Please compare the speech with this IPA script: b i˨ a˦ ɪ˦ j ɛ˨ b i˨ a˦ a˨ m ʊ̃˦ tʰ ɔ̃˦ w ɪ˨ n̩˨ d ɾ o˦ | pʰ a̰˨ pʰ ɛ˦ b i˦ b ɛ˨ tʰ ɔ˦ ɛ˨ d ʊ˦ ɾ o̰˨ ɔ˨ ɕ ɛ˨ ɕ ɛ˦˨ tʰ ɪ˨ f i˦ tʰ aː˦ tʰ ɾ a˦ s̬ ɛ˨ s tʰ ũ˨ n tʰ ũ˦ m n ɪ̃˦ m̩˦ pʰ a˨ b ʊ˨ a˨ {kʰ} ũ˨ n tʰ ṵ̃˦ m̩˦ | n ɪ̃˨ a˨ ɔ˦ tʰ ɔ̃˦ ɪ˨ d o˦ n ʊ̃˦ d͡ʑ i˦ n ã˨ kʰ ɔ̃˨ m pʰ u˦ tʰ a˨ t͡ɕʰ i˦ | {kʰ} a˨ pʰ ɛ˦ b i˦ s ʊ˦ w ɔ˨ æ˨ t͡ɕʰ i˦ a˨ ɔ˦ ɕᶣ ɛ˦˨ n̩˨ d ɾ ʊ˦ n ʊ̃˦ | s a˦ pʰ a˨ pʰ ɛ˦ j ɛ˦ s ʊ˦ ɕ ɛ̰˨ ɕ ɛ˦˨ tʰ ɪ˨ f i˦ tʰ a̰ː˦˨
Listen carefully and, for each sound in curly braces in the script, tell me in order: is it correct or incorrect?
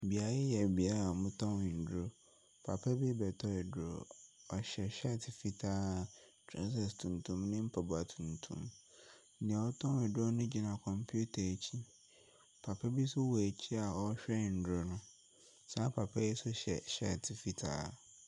incorrect: tʰ, incorrect: pʰ

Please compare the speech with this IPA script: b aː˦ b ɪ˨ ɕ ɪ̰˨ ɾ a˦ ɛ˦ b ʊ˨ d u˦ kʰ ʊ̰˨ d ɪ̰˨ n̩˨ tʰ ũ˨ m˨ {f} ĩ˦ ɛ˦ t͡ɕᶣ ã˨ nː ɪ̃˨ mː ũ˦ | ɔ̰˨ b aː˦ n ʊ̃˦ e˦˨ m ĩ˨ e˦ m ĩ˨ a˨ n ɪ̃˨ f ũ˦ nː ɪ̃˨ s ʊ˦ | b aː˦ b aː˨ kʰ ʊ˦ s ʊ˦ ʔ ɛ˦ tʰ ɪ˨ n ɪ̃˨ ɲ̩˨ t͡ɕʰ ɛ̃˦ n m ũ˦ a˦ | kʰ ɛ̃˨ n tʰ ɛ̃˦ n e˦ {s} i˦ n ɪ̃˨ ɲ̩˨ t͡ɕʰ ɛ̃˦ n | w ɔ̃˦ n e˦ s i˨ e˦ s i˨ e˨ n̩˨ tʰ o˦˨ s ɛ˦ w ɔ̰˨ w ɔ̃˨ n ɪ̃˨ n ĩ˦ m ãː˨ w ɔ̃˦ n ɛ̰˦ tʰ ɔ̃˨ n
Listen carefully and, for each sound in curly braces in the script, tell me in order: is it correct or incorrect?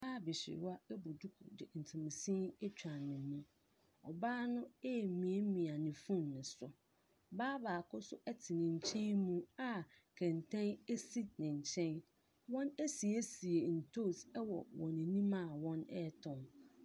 incorrect: s, correct

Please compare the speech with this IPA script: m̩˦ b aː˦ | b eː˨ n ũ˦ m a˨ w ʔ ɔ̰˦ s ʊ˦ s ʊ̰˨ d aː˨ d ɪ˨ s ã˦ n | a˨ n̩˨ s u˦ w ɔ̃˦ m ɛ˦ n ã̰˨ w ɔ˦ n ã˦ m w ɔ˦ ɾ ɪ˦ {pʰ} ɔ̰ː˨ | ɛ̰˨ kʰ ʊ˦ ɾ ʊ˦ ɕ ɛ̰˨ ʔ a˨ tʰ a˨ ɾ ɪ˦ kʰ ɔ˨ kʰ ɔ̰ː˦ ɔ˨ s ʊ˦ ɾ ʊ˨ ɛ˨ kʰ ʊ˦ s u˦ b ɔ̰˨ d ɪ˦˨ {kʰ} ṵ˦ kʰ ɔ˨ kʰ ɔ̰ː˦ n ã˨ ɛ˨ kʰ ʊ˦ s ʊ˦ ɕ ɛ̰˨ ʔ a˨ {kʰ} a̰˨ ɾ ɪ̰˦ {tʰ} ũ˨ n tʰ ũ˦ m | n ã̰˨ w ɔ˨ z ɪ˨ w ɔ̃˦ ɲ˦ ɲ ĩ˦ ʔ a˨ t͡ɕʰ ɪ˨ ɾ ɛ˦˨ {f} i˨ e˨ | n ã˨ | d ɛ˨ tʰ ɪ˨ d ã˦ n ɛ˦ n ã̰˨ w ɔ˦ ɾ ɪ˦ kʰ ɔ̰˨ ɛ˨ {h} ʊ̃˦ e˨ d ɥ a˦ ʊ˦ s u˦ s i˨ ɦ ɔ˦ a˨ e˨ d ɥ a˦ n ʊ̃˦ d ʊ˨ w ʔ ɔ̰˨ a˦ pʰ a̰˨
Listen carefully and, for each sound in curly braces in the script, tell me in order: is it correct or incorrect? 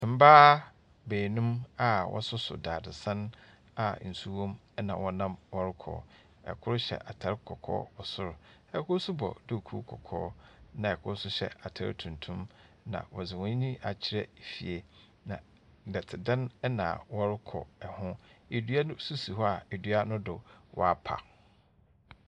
incorrect: kʰ, correct, incorrect: tʰ, correct, correct, correct

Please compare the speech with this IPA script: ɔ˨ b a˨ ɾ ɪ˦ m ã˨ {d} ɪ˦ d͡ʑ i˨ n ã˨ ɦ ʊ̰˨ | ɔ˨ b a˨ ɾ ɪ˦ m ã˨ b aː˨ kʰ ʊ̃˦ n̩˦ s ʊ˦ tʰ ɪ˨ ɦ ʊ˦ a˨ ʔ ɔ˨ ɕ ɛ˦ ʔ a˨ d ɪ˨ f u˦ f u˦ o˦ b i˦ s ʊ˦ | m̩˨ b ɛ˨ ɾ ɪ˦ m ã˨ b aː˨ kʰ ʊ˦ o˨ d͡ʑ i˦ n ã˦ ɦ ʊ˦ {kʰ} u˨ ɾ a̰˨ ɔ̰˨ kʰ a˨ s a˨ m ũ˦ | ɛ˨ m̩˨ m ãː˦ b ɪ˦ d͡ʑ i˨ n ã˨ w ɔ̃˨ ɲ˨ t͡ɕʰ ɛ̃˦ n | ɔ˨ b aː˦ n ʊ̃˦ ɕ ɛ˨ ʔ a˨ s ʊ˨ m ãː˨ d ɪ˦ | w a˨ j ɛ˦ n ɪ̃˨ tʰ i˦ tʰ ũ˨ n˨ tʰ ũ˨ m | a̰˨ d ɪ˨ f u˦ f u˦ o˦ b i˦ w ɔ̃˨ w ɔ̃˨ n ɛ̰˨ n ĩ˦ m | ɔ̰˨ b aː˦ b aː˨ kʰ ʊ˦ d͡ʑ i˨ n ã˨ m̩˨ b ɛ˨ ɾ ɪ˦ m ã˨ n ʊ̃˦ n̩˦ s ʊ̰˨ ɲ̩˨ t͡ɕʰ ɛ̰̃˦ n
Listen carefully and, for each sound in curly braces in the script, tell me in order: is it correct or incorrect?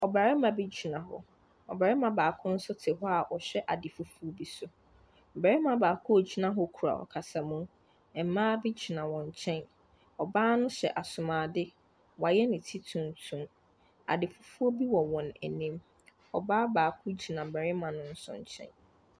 incorrect: b, correct

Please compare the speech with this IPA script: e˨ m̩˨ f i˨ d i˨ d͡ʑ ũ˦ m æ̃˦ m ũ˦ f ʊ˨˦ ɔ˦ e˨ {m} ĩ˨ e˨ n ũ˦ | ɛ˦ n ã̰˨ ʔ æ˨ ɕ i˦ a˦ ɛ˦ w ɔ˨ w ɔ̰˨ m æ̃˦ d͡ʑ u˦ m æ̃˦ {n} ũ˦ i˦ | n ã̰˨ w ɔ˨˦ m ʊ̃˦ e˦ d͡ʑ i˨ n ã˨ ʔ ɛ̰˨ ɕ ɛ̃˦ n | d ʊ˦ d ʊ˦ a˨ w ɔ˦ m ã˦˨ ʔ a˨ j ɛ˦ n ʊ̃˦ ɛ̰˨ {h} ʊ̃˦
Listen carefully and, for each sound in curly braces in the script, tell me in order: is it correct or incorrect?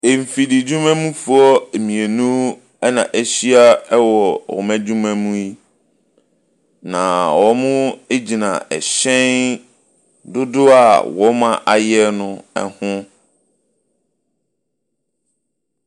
correct, incorrect: m, correct

